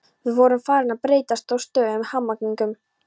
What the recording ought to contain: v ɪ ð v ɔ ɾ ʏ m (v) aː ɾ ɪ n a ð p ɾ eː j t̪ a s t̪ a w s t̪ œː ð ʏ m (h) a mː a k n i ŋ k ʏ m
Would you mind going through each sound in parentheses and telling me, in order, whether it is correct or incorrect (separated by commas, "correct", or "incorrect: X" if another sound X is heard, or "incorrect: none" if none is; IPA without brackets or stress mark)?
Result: incorrect: f, correct